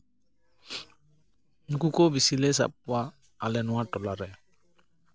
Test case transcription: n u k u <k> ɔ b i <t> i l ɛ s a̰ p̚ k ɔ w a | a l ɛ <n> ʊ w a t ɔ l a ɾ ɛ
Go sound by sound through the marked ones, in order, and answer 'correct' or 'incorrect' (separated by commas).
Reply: correct, incorrect, correct